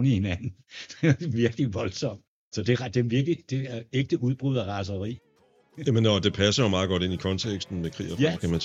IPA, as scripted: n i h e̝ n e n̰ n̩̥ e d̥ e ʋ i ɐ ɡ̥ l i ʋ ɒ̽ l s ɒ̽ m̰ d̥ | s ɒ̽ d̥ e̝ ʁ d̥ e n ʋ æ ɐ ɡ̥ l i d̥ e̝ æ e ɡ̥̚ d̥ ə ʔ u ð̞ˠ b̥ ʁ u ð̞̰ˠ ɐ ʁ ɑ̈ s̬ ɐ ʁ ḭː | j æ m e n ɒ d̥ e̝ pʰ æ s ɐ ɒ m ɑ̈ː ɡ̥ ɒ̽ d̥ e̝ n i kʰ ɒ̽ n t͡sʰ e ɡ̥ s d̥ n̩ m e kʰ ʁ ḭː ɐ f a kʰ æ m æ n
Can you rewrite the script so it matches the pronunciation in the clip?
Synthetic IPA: n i h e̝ n æ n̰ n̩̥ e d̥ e ʋ i ɐ ɡ̥ l i ʋ ɒ̽ l s ɒ̽ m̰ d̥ | s ɒ̽ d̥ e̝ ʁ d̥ e m ʋ i ɐ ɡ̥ l i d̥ e̝ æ e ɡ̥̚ d̥ ə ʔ u ð̞ˠ b̥ ʁ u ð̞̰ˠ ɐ ʁ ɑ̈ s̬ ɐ ʁ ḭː | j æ m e n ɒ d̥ e̝ pʰ æ s ɐ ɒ m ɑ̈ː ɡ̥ ɒ̽ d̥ e̝ n i kʰ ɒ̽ n t͡sʰ e ɡ̥ s d̥ n̩ m e kʰ ʁ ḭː ɐ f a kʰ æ m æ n